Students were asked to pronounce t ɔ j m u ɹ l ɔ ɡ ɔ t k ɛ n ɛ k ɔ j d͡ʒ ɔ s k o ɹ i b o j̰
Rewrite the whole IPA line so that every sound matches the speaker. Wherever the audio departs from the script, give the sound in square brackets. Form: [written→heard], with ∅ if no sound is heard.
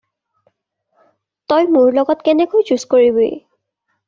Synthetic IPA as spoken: t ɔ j m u ɹ l ɔ ɡ ɔ t k ɛ n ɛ k [ɔ→o] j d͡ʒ [ɔ→u] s k o ɹ i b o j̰